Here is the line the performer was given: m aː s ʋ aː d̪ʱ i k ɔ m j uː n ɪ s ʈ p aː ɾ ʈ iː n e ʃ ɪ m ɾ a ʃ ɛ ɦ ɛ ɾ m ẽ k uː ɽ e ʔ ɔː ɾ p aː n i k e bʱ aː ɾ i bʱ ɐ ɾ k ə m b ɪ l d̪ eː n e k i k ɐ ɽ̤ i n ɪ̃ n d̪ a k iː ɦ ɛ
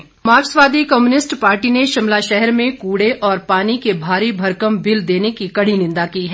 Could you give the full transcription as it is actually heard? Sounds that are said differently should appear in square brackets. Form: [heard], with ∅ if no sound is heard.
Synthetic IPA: m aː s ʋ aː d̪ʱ i k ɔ m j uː n ɪ s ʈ p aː ɾ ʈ [i] n e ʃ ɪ m [l] a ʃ ɛ ɦ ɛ ɾ m ẽ k uː ɽ e ʔ ɔː ɾ p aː n i k e bʱ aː ɾ i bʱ ɐ ɾ k ə m b ɪ l d̪ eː n e k i k ɐ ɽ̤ i n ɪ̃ n d̪ a k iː ɦ ɛ